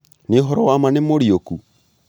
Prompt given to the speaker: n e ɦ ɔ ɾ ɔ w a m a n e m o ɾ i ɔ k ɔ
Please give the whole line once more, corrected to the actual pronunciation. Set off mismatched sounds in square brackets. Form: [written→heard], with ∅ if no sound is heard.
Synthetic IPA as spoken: n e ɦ ɔ ɾ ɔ w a m a n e m o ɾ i [ɔ→o] k [ɔ→u]